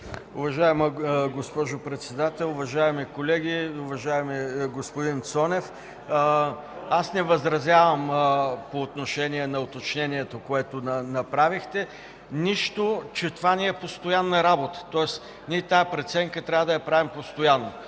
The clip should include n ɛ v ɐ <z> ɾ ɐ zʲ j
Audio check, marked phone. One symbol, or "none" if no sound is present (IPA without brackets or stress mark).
z